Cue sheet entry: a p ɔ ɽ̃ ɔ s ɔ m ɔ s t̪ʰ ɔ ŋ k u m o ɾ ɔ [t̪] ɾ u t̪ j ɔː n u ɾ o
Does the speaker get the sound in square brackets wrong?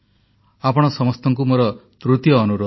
no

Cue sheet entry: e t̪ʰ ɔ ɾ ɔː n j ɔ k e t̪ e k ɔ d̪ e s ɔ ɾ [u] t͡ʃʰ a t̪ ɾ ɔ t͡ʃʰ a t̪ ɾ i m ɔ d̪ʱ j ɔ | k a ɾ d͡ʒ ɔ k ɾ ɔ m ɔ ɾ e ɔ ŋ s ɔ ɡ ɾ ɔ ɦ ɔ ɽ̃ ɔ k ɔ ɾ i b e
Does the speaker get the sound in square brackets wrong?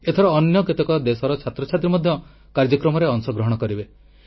yes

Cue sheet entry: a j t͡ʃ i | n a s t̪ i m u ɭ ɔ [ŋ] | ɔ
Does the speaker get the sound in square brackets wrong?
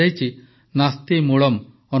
yes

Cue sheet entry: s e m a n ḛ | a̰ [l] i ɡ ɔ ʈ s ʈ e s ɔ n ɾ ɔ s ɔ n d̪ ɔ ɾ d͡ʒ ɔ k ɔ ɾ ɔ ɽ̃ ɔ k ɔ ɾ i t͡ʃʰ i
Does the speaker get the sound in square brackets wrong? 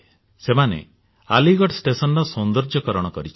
no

